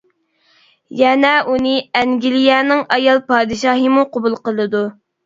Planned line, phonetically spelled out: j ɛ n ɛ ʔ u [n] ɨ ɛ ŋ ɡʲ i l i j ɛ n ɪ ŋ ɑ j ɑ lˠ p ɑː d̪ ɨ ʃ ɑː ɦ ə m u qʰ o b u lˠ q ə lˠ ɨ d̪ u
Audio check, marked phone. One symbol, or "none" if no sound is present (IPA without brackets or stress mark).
n